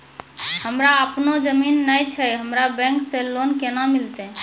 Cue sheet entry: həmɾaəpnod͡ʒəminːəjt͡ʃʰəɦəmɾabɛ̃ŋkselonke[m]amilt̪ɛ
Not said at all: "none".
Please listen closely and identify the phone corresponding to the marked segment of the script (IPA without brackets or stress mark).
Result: n